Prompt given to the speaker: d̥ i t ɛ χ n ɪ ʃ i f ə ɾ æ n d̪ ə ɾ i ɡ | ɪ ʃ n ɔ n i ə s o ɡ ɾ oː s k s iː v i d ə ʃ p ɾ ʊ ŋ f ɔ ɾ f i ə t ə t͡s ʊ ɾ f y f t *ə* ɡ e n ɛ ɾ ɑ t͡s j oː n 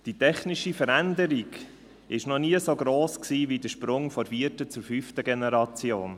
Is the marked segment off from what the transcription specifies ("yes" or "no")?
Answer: no